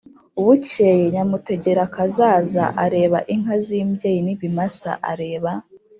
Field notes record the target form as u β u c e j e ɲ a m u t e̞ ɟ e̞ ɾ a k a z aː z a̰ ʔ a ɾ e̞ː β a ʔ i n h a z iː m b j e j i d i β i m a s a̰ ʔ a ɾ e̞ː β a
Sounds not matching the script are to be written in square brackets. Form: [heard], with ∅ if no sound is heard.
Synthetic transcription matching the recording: u β u c e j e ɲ a m u t e̞ ɟ e̞ ɾ a k a z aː z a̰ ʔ a ɾ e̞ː β a ʔ i [ŋ] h a z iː m b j e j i [n] i β i m a s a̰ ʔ a ɾ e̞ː β a